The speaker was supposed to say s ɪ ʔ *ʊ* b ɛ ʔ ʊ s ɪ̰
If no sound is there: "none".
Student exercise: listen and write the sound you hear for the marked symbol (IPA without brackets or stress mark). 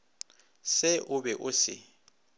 ʊ